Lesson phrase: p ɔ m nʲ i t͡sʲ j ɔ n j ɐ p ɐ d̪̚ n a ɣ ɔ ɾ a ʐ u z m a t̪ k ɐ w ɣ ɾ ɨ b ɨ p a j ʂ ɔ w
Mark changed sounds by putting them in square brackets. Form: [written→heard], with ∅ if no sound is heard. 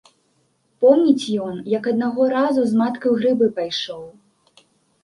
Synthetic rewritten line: p ɔ m nʲ i t͡sʲ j ɔ n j ɐ [p→k] ɐ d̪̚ n a ɣ ɔ ɾ a [ʐ→z] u z m a t̪ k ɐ w ɣ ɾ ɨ b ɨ p a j ʂ ɔ w

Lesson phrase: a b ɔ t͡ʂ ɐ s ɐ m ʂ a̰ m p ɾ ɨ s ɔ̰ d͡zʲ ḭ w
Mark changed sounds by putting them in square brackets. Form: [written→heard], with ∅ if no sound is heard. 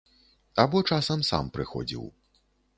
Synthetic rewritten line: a b ɔ t͡ʂ [ɐ→a] s ɐ m [ʂ→s] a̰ m p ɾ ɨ [s→x] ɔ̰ d͡zʲ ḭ w

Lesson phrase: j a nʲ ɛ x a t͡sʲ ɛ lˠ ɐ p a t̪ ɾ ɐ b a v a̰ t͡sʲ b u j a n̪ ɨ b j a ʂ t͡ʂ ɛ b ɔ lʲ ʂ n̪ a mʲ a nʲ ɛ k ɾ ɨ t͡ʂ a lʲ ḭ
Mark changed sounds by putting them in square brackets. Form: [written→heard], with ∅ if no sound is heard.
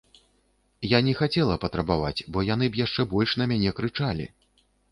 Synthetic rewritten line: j a nʲ ɛ x a t͡sʲ ɛ lˠ ɐ p [a→ɐ] t̪ ɾ ɐ b a v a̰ t͡sʲ b [u→ɔ] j a n̪ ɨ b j a ʂ t͡ʂ ɛ b ɔ lʲ ʂ n̪ [a→ɐ] mʲ a nʲ ɛ k ɾ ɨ t͡ʂ a lʲ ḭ

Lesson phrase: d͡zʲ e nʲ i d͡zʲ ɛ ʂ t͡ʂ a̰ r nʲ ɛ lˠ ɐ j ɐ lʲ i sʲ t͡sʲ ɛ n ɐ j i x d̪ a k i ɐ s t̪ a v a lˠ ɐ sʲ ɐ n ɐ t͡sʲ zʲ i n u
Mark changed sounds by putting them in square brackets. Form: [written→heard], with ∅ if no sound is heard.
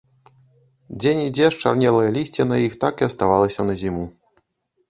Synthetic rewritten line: d͡zʲ e nʲ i d͡zʲ ɛ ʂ t͡ʂ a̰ r nʲ ɛ lˠ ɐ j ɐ lʲ i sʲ t͡sʲ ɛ n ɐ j i x [d̪→t̪] a k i ɐ s t̪ a v a lˠ ɐ sʲ ɐ n ɐ [t͡sʲ→∅] zʲ i [n→m] u

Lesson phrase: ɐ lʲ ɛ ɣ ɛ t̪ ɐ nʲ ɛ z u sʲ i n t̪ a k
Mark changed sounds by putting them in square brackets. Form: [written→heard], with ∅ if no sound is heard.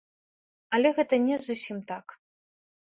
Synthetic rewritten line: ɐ lʲ ɛ ɣ ɛ t̪ ɐ nʲ ɛ z u sʲ i [n→m] t̪ a k

